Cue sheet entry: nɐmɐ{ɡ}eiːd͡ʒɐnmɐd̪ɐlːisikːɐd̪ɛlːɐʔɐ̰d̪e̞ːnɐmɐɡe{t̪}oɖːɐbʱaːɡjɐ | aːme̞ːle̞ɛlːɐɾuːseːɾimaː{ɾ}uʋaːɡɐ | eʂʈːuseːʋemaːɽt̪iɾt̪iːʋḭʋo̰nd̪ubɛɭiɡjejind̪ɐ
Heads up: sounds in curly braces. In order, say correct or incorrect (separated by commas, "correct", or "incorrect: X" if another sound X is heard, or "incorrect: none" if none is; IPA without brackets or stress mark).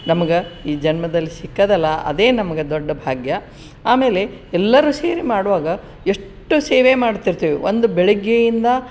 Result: correct, incorrect: d̪, incorrect: ɽ